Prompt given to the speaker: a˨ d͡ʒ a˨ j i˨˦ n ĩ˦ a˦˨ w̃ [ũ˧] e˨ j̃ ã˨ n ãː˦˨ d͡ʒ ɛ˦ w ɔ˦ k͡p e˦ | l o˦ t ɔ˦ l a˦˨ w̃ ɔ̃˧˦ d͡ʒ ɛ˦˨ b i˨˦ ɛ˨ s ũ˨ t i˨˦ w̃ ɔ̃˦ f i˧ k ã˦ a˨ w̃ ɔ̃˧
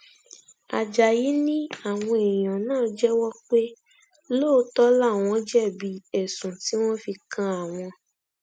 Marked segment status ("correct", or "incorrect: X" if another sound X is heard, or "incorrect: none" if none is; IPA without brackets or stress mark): incorrect: ɔ̃˧